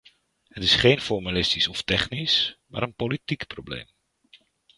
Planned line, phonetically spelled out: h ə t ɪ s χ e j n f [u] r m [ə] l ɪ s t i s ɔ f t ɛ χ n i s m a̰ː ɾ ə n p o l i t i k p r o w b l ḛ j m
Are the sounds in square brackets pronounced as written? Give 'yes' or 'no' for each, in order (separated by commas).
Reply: no, no